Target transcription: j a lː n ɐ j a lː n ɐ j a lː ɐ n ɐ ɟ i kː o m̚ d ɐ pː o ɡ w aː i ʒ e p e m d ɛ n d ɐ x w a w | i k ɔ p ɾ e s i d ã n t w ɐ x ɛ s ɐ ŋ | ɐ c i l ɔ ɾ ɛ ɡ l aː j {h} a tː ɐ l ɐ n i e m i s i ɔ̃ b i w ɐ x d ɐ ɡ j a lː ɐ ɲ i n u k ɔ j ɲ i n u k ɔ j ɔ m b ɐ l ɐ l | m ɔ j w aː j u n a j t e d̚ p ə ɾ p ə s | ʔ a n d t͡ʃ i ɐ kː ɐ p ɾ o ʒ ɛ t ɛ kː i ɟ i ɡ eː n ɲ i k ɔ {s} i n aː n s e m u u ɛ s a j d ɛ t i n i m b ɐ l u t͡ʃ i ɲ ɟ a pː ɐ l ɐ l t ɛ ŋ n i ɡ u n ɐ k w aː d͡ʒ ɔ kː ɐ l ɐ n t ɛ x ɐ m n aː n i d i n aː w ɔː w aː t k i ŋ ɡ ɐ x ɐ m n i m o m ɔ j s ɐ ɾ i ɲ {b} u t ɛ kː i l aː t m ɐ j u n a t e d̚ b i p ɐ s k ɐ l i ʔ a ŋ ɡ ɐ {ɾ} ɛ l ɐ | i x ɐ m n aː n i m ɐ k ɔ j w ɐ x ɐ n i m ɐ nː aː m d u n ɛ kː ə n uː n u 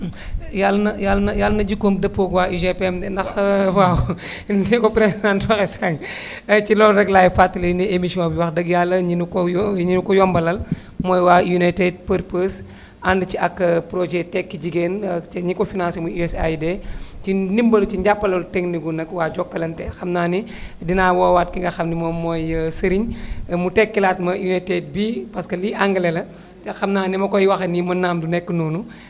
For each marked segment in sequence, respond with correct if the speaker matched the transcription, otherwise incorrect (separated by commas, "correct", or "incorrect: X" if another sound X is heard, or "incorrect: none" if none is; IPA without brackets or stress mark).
incorrect: f, incorrect: f, incorrect: m, incorrect: l